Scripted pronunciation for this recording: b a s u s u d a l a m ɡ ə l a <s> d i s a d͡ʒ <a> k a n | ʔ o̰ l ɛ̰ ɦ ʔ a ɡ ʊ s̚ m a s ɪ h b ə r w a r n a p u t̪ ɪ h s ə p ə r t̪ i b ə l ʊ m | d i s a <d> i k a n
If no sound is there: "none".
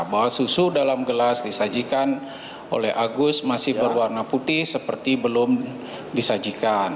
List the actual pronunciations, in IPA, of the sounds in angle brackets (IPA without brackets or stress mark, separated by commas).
s, i, d͡ʒ